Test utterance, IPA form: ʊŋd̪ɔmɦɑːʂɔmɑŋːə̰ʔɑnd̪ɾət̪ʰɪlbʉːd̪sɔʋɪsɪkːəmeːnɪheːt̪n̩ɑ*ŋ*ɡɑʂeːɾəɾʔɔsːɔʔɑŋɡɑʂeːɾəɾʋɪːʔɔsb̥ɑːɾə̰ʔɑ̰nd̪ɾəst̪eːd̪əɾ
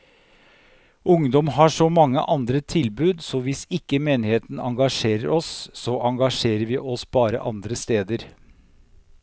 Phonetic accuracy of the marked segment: correct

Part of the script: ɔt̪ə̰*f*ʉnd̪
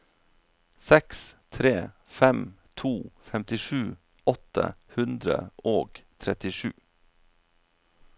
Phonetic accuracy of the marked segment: incorrect: h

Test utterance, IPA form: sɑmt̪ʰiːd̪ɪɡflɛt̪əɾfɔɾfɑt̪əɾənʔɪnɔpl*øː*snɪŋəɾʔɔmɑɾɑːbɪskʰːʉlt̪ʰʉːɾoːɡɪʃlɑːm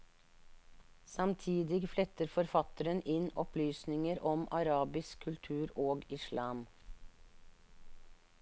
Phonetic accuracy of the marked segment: incorrect: yː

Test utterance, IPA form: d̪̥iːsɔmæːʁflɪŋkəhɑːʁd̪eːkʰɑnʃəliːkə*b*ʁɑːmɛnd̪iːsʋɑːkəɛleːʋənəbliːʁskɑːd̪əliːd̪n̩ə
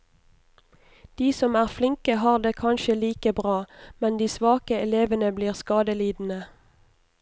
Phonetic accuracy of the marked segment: correct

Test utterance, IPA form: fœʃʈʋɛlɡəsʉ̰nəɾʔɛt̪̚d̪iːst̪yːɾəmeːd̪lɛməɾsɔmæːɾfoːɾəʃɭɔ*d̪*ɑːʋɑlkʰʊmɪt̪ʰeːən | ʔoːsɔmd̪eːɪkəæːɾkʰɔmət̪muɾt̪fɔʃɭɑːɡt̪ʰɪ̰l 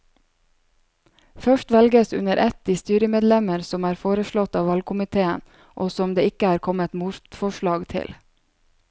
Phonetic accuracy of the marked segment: incorrect: t̪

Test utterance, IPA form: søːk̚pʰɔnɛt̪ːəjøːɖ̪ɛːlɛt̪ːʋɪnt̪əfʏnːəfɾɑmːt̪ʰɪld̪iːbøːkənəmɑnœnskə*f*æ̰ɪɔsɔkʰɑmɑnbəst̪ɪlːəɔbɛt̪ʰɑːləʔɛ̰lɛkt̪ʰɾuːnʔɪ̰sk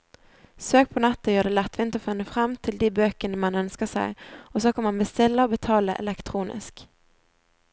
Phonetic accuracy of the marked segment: incorrect: s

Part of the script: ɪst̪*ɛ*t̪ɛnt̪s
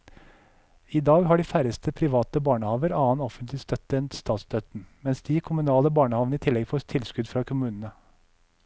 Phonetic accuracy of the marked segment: incorrect: œ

